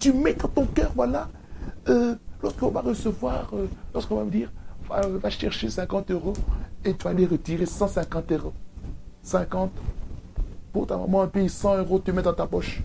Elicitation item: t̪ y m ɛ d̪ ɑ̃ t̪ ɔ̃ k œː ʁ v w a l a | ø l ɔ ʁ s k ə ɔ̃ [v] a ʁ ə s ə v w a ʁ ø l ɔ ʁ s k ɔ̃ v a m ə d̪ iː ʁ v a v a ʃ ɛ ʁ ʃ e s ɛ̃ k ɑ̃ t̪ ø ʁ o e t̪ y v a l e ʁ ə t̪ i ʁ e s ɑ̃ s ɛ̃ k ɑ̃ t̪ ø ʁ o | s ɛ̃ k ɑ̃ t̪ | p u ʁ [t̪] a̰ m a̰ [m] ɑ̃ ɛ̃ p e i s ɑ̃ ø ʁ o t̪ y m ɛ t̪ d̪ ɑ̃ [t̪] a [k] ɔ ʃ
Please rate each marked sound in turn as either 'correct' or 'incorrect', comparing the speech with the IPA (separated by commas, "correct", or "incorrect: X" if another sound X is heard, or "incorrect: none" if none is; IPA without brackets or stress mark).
correct, correct, correct, correct, incorrect: p